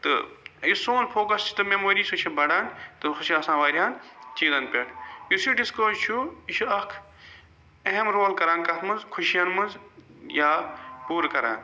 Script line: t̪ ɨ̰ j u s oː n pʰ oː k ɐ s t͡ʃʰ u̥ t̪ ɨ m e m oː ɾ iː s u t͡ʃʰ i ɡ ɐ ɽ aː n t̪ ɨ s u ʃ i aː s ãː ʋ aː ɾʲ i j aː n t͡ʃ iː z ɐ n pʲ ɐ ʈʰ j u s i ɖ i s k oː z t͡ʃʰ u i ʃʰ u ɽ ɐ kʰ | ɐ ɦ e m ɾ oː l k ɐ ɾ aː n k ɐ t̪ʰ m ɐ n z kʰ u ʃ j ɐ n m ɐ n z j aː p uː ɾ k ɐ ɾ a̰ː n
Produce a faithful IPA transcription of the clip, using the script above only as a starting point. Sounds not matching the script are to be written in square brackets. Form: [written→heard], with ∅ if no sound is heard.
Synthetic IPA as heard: t̪ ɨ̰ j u s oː n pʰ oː k ɐ s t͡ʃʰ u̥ t̪ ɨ m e m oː ɾ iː s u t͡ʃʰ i [ɡ→b] ɐ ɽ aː n t̪ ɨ [s→x] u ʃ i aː s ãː ʋ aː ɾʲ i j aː n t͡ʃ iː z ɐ n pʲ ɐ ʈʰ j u s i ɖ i s k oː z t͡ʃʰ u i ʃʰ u [ɽ→∅] ɐ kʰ | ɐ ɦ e m ɾ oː l k ɐ ɾ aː n k ɐ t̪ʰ m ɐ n z kʰ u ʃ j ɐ n m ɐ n z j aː p uː ɾ k ɐ ɾ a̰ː n